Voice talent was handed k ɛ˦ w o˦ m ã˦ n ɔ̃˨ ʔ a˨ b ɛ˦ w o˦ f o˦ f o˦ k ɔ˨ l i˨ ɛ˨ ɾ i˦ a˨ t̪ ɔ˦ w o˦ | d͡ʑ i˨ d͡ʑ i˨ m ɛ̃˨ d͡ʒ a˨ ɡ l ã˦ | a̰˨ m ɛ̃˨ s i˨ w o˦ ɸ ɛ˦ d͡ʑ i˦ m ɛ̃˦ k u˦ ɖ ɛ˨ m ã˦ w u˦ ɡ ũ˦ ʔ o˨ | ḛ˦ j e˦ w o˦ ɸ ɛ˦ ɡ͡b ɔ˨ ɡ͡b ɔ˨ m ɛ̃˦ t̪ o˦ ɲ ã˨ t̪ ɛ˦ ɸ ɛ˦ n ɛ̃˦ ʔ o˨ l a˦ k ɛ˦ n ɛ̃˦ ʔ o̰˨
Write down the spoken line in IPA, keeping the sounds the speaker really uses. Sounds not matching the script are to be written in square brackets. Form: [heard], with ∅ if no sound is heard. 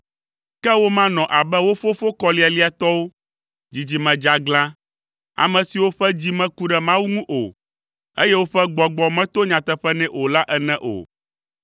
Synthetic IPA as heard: k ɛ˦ w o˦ m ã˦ n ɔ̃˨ ʔ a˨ b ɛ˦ w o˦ f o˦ f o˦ k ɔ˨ l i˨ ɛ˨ [l] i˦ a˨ t̪ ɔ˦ w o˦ | d͡ʑ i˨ d͡ʑ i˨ m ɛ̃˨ d͡ʒ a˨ ɡ l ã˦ | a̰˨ m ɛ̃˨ s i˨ w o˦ ɸ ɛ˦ d͡ʑ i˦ m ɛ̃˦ k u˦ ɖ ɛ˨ m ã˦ w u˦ [ŋ] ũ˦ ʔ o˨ | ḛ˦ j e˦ w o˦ ɸ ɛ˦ ɡ͡b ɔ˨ ɡ͡b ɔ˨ m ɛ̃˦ t̪ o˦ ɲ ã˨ t̪ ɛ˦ ɸ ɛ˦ n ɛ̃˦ ʔ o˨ l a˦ [ʔ] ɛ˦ n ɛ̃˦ ʔ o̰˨